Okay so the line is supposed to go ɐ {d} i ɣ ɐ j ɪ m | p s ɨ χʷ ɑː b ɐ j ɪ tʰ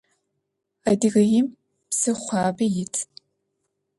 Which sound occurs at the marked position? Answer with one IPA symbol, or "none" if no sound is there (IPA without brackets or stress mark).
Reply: d